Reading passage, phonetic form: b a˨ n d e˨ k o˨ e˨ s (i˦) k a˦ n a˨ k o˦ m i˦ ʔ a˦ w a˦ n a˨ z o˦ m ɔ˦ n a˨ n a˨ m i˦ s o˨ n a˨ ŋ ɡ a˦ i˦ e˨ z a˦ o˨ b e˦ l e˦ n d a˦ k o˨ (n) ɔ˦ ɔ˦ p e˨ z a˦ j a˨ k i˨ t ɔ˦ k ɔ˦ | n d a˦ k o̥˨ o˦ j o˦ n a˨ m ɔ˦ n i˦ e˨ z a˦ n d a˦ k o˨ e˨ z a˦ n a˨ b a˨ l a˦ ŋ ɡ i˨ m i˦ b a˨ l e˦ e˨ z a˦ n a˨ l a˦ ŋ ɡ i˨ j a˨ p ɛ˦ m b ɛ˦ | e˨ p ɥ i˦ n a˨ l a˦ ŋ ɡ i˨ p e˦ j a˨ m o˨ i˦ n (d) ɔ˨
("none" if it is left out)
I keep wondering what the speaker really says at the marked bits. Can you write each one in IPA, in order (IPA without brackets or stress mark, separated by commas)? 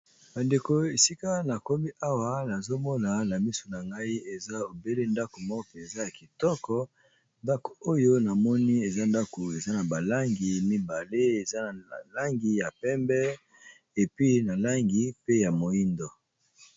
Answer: i˦, m, d